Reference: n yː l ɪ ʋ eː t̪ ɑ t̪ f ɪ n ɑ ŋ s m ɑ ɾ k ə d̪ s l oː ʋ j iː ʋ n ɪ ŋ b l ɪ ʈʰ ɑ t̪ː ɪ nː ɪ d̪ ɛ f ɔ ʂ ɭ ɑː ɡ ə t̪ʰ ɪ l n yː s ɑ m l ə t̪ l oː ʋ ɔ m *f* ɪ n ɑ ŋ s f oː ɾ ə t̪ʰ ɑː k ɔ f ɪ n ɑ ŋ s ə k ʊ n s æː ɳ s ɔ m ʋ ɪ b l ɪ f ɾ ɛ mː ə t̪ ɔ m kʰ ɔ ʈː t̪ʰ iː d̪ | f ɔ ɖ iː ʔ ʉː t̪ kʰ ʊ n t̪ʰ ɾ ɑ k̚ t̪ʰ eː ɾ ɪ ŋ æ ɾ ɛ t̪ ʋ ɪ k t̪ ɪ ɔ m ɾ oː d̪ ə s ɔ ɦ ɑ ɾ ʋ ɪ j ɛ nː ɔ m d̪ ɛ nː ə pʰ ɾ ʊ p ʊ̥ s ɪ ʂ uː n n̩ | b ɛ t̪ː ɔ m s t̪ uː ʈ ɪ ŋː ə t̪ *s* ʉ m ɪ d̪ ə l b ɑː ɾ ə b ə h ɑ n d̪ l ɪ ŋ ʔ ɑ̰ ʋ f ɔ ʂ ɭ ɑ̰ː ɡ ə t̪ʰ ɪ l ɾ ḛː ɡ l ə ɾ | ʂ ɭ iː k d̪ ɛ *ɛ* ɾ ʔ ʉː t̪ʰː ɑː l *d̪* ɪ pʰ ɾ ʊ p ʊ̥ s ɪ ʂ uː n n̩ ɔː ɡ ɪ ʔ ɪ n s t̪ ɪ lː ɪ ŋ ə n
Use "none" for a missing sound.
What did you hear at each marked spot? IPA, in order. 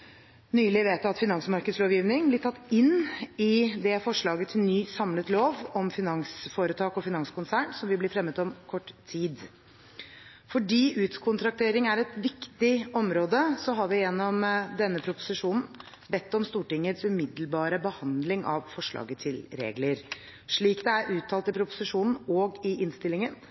f, s, æ, t̪

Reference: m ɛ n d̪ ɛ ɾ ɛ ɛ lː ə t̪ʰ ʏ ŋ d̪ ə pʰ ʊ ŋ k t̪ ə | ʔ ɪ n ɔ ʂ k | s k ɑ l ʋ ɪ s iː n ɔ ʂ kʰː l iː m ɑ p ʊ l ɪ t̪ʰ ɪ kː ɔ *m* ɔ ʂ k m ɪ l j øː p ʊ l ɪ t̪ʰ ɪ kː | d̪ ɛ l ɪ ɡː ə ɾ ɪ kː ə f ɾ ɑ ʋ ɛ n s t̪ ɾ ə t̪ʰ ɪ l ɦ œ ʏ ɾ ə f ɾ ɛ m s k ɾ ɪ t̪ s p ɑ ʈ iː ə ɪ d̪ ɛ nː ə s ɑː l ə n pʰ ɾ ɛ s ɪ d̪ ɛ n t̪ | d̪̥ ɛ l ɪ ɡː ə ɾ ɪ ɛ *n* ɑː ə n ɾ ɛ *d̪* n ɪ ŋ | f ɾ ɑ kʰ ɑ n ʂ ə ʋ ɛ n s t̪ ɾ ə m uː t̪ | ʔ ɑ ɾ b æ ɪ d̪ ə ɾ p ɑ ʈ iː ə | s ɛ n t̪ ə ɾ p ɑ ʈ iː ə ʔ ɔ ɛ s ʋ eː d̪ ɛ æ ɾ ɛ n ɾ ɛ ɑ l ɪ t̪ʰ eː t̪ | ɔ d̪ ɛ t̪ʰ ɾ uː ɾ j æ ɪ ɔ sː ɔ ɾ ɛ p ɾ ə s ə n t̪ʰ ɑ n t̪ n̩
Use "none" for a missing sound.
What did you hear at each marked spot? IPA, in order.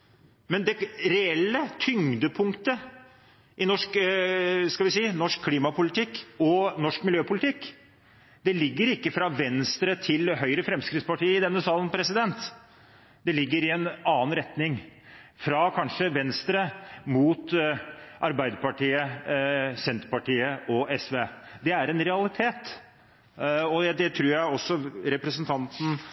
n, n, t̪

